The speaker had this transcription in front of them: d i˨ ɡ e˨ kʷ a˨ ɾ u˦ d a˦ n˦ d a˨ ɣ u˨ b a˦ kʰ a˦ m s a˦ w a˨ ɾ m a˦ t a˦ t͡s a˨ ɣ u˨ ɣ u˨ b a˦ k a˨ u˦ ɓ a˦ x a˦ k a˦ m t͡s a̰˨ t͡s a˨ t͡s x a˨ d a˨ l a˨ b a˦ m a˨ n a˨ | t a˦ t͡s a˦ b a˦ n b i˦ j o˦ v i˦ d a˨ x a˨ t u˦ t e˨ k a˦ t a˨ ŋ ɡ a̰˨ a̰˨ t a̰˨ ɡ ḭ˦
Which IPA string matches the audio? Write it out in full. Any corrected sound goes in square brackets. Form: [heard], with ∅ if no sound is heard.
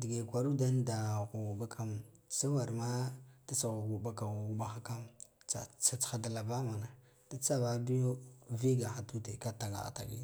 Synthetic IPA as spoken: d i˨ ɡ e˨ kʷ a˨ ɾ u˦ d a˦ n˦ d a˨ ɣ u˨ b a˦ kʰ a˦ m s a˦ w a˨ ɾ m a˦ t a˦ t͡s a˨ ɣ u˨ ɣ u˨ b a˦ k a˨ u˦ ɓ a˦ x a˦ k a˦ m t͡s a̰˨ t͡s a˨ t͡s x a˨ d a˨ l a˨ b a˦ m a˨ n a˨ | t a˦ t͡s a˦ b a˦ [∅] b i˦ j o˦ v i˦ [ɡ] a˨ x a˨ t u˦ t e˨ k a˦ t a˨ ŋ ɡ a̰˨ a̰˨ t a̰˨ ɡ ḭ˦